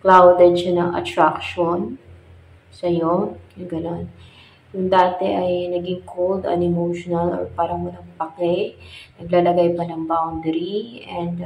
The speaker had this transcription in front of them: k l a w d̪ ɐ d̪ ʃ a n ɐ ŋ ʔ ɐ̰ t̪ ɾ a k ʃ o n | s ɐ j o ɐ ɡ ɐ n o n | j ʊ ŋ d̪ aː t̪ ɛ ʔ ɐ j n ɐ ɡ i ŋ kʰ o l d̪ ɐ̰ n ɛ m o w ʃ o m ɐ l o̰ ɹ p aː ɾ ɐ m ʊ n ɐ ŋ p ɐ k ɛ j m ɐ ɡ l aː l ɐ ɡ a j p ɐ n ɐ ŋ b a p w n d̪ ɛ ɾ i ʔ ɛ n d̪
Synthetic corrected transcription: k l a w d̪ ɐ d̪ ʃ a n ɐ ŋ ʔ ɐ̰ t̪ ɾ a k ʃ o n | s ɐ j o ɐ ɡ ɐ n o n | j ʊ ŋ d̪ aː t̪ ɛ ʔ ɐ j n ɐ ɡ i ŋ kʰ o l d̪ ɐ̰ n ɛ m o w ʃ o n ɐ l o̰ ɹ p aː ɾ ɐ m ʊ n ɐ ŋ p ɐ k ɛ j n ɐ ɡ l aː l ɐ ɡ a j p ɐ n ɐ ŋ b a w n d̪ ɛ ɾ i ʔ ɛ n d̪